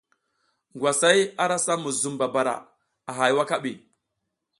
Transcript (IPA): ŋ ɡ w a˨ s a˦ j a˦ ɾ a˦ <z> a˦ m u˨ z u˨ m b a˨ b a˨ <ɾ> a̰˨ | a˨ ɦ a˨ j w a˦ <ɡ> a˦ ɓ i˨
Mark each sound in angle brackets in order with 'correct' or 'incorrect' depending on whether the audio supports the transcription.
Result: incorrect: s, correct, incorrect: k

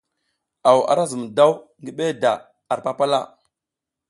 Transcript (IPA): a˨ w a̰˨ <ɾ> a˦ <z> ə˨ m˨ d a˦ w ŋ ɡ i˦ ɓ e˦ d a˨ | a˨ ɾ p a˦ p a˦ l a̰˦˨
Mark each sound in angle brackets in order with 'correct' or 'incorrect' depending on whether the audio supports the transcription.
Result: correct, correct

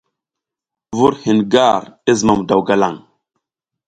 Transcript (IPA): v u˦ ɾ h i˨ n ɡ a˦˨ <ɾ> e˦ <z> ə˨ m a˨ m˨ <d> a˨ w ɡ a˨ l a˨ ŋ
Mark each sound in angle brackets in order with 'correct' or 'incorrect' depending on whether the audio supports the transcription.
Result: correct, correct, correct

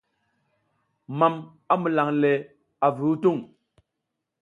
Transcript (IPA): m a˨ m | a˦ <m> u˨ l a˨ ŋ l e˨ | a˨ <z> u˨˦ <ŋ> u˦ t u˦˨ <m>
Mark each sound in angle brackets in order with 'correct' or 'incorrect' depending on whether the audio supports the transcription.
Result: correct, incorrect: v, incorrect: none, incorrect: ŋ

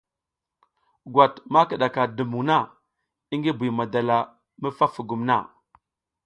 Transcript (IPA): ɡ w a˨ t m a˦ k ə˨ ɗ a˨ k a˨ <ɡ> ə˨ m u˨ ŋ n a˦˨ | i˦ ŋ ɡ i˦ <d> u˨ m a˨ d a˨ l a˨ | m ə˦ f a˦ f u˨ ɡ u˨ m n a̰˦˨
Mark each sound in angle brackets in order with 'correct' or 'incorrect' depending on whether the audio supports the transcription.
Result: incorrect: d, incorrect: b

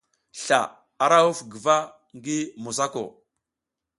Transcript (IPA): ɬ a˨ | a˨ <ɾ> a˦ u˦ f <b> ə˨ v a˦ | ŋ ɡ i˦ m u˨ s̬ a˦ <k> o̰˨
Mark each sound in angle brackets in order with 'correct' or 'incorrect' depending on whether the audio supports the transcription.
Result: correct, incorrect: ɡ, correct

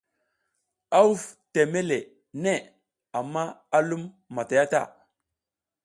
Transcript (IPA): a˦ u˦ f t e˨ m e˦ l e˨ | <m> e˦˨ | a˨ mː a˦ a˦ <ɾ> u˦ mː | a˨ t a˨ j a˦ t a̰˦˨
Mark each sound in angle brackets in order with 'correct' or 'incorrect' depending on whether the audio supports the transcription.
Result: incorrect: n, incorrect: l

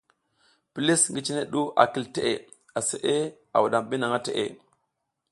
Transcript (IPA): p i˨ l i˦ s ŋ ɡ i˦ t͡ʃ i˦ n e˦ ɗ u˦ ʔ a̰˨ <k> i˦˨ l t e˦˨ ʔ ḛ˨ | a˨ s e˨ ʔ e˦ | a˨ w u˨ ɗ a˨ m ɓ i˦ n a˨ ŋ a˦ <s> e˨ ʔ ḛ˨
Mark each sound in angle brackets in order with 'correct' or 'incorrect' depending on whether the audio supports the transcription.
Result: correct, incorrect: t

